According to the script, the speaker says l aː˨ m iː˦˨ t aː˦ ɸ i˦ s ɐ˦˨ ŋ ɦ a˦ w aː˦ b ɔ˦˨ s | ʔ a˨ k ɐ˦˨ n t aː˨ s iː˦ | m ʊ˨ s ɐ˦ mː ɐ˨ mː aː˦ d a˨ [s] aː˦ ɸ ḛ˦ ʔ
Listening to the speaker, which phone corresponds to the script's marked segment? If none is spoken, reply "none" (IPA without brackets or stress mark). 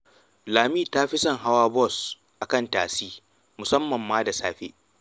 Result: s